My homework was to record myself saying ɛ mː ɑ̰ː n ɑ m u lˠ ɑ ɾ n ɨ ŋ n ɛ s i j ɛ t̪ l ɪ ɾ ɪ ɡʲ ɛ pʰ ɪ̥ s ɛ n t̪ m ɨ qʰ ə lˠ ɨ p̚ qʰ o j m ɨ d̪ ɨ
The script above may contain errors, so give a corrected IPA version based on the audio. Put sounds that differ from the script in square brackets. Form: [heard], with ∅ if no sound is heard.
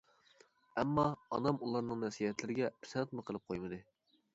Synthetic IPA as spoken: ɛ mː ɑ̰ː n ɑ m u lˠ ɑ ɾ n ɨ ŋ n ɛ s i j ɛ t̪ l ɪ ɾ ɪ ɡʲ ɛ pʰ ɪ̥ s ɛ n t̪ m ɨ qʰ ə lˠ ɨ p̚ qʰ o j m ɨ d̪ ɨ

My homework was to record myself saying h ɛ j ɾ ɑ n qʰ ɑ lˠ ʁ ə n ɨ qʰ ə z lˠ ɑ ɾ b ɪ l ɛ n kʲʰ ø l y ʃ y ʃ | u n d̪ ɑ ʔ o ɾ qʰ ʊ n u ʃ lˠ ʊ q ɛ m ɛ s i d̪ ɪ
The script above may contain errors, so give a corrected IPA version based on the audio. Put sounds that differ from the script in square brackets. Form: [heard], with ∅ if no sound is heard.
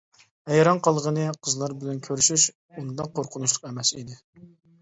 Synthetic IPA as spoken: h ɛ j ɾ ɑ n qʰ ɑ lˠ ʁ ə n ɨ qʰ ə z lˠ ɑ ɾ b ɪ l ɛ n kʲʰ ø [ɾ] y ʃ y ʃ | u n d̪ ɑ [q] o ɾ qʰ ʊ n u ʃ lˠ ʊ q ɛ m ɛ s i d̪ ɪ

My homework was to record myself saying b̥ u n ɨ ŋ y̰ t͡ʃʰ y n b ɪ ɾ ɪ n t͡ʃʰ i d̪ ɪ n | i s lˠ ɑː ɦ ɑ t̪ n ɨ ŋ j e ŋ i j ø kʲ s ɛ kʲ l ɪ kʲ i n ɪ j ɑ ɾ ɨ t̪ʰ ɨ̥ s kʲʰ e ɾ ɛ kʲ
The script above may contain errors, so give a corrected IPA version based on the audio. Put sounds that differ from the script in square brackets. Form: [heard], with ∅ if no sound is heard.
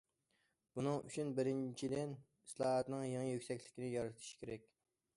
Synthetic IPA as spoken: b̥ u n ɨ ŋ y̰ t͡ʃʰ y n b ɪ ɾ ɪ n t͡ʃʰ i d̪ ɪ n | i s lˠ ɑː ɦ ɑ t̪ n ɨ ŋ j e ŋ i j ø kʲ s ɛ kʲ l ɪ kʲ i n ɪ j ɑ ɾ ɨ t̪ʰ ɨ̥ [ʃ] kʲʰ e ɾ ɛ kʲ

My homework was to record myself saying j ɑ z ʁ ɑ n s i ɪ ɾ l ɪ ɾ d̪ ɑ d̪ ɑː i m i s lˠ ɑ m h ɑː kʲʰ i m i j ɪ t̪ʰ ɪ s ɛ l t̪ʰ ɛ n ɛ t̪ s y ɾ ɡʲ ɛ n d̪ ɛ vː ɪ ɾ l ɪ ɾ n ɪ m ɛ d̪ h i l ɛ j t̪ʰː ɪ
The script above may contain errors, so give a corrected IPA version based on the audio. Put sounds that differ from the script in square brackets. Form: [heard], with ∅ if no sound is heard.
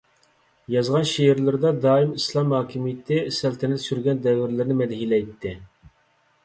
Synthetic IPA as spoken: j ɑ z ʁ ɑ n [ʃ] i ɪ ɾ l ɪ ɾ d̪ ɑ d̪ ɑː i m i s lˠ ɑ m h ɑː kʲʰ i m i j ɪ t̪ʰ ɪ s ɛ l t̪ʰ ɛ n ɛ t̪ s y ɾ ɡʲ ɛ n d̪ ɛ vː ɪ ɾ l ɪ ɾ n ɪ m ɛ d̪ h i l ɛ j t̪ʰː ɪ

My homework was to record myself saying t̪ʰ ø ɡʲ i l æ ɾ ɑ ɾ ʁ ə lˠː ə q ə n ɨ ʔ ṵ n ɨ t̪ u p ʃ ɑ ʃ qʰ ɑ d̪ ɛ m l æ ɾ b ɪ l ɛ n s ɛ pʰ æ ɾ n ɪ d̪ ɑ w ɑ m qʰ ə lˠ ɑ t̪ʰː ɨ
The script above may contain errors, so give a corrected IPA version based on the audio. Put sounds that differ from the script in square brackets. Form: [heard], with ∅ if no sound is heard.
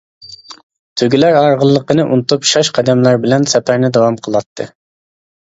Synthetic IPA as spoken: t̪ʰ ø ɡʲ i l æ ɾ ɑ ɾ ʁ ə lˠː ə q ə n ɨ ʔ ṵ n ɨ t̪ u p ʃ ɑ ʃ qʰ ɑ d̪ ɛ m l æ ɾ b ɪ l ɛ n s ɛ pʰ æ ɾ n ɪ d̪ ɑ w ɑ m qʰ ə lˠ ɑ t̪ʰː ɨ

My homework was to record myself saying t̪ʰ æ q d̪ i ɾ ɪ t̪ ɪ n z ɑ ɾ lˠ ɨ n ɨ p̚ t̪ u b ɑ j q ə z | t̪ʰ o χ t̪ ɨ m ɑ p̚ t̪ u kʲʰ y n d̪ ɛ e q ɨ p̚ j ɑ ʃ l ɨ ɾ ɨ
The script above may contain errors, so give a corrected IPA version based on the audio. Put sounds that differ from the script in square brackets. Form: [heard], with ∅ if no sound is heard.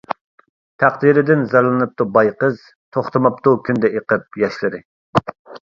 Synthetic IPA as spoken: t̪ʰ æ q d̪ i ɾ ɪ [d̪] ɪ n z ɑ ɾ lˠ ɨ n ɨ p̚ t̪ u b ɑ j q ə z | t̪ʰ o χ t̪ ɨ m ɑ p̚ t̪ u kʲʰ y n d̪ ɛ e q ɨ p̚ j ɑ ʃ l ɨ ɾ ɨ

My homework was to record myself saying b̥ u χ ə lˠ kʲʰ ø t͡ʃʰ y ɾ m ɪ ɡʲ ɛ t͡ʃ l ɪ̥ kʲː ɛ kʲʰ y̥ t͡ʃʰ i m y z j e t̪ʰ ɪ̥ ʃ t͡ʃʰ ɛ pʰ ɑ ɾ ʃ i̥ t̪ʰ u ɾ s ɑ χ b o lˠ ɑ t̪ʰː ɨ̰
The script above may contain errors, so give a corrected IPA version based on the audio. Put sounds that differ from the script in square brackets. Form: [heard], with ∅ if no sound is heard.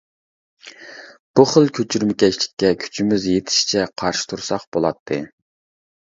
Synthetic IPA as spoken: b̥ u χ ə lˠ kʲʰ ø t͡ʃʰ y ɾ m ɪ [kʲ] ɛ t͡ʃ l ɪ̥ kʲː ɛ kʲʰ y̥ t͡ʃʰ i m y z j e t̪ʰ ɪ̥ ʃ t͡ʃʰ ɛ [qʰ] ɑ ɾ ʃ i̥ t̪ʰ u ɾ s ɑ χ b o lˠ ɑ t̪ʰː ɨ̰

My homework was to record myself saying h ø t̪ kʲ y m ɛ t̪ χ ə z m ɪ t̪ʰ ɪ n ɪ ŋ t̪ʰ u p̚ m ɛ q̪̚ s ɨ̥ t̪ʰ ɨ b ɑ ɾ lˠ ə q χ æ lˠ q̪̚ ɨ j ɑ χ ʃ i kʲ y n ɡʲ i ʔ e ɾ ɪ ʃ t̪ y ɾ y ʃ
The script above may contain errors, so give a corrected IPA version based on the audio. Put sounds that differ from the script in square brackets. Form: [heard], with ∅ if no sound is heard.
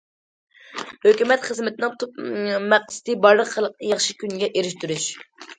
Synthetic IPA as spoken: h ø [∅] kʲ y m ɛ t̪ χ ə z m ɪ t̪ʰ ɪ n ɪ ŋ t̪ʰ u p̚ m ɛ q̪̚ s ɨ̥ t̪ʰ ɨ b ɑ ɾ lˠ ə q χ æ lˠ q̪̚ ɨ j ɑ χ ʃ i kʲ y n ɡʲ [ɛ] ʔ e ɾ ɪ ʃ t̪ y ɾ y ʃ

